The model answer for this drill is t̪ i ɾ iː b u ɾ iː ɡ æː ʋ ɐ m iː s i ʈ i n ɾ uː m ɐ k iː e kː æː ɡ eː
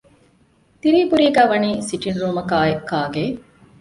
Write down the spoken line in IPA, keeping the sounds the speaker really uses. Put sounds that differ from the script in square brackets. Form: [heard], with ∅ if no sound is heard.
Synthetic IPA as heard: t̪ i ɾ iː b u ɾ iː ɡ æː ʋ ɐ [n] iː s i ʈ i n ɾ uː m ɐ k [aː] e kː [aː] ɡ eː